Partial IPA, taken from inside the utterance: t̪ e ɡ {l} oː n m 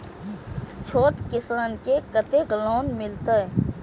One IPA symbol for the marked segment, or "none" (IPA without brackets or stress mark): l